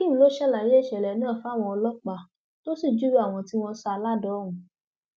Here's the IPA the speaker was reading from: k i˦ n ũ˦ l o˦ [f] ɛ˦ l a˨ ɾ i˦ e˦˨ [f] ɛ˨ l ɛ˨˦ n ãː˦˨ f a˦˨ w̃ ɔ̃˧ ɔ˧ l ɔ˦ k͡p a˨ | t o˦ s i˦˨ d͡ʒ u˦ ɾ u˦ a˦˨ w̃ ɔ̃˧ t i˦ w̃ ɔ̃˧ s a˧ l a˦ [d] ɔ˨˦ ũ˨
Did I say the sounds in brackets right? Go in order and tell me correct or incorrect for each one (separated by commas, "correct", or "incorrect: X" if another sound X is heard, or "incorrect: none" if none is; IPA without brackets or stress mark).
incorrect: ʃ, incorrect: ʃ, correct